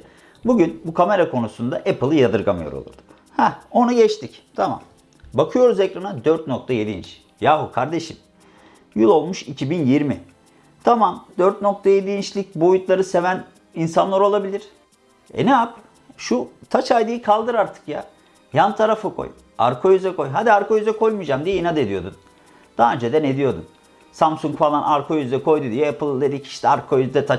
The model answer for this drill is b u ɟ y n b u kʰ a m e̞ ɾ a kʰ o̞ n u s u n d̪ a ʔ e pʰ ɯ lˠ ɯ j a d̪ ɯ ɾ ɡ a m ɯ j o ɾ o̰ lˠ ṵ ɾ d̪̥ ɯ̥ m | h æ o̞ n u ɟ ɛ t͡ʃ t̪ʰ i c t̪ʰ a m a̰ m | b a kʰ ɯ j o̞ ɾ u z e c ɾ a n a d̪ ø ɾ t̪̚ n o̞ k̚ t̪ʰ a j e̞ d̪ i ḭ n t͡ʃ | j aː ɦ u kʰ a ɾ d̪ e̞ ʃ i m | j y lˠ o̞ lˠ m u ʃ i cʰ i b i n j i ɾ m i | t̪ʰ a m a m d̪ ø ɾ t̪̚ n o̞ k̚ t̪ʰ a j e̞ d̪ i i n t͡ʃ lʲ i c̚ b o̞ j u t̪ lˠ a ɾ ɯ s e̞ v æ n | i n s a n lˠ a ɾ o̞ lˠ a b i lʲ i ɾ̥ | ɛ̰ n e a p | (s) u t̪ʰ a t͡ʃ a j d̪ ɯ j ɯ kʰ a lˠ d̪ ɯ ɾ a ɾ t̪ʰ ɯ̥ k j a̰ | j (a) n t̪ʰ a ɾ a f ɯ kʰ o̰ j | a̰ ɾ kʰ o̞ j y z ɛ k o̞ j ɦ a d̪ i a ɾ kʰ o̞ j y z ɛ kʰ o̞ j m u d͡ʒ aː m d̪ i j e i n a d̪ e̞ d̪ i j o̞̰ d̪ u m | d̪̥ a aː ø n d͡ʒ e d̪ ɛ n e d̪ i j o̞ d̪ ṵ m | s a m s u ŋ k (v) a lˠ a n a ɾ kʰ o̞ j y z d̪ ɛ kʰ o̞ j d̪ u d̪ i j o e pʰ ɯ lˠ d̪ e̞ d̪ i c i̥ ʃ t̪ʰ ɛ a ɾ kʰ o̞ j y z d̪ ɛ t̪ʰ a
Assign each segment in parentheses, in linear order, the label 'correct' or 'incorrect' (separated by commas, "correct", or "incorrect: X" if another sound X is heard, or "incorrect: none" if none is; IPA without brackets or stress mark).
incorrect: ʃ, correct, incorrect: f